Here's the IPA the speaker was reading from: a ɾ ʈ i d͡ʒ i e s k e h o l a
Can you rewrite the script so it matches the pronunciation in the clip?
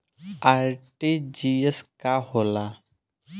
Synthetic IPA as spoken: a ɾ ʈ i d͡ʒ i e s k a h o l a